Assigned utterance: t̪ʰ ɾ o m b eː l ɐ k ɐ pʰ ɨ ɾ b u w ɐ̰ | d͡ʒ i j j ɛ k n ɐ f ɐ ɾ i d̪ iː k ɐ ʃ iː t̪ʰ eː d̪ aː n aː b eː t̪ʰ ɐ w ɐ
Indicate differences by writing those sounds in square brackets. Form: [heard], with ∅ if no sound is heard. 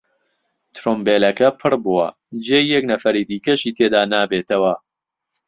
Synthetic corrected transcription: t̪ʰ ɾ o m b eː l ɐ k ɐ pʰ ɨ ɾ b u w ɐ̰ | d͡ʒ [e] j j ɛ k n ɐ f ɐ ɾ i d̪ iː k ɐ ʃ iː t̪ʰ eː d̪ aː n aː b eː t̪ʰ ɐ w ɐ